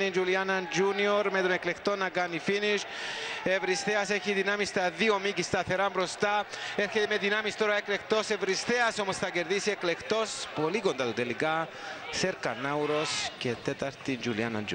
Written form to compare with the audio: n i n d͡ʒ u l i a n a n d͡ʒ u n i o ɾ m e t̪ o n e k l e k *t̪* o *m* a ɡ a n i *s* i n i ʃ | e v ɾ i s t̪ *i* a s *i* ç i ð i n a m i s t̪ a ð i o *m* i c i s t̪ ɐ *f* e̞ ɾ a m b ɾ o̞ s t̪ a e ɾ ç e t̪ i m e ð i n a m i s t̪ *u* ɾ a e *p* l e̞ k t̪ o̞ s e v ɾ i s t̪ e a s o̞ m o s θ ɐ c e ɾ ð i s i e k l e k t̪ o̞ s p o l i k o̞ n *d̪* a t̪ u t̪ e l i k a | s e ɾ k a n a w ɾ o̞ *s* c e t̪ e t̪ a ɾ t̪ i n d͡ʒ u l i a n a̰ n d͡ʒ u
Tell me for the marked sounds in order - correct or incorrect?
correct, incorrect: n, incorrect: f, incorrect: e, incorrect: e, correct, incorrect: θ, incorrect: o, incorrect: k, correct, correct

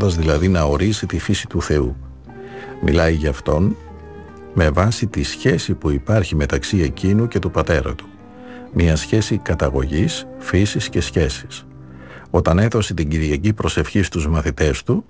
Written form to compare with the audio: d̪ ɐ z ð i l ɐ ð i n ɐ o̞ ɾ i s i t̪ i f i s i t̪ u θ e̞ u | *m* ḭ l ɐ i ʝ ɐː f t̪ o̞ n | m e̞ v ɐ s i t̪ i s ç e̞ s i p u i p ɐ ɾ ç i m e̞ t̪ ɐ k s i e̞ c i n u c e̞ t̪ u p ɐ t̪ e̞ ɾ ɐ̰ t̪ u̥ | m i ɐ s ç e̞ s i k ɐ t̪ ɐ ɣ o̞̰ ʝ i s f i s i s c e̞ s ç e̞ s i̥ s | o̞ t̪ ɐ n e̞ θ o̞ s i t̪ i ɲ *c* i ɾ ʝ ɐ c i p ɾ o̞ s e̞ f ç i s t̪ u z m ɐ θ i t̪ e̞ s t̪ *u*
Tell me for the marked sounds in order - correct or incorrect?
correct, incorrect: ɟ, correct

